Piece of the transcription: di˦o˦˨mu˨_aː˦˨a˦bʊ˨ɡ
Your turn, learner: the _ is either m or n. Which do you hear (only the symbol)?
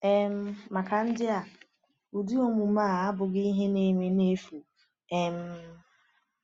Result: m